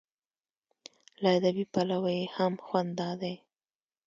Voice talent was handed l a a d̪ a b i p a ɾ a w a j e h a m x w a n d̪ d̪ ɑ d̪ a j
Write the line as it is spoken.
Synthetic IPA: l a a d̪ a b i p a l a w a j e h a m x w a n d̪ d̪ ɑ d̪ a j